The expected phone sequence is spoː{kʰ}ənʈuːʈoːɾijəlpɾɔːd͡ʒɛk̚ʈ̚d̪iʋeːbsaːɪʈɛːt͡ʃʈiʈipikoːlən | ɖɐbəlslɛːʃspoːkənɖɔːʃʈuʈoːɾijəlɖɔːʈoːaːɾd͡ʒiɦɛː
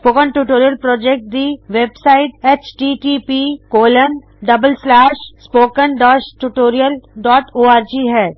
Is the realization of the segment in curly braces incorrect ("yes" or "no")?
yes